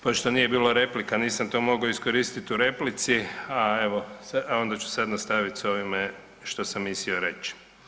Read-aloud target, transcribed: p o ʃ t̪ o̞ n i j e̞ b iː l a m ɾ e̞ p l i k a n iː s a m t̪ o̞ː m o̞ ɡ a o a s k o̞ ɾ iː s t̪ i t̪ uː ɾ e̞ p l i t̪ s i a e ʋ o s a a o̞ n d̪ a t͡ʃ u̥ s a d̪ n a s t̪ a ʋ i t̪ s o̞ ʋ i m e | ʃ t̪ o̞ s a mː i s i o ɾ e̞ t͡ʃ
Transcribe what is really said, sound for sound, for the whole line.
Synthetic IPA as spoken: p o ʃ t̪ o̞ n i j e̞ b iː l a ɾ e̞ p l i k a n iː s a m t̪ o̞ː m o̞ ɡ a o i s k o̞ ɾ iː s t̪ i t̪ u ɾ e̞ p l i t̪ s i a e ʋ o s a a o̞ n d̪ a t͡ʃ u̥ s a d̪ n a s t̪ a ʋ i t̪ s o̞ ʋ i m e | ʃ t̪ o̞ s a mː i s i o ɾ e̞ t͡ʃ